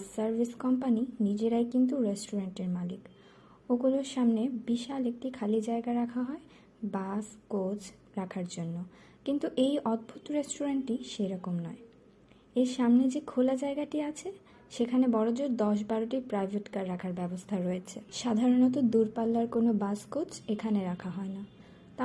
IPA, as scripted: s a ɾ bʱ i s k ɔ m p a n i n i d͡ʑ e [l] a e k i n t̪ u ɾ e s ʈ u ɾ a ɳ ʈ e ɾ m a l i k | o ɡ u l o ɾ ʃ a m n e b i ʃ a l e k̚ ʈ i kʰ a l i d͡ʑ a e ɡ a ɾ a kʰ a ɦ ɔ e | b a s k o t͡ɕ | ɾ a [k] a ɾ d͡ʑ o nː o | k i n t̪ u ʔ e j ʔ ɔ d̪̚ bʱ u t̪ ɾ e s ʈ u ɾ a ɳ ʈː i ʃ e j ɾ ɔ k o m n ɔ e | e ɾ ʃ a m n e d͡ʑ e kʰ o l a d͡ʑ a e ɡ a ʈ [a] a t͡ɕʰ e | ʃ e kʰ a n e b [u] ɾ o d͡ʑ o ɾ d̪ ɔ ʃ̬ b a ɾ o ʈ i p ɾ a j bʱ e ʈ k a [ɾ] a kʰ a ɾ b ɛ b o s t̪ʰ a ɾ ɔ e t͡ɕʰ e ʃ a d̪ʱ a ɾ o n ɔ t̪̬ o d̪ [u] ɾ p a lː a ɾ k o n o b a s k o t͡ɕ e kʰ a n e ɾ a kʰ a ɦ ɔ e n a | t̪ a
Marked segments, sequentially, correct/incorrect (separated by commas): incorrect, incorrect, incorrect, incorrect, incorrect, correct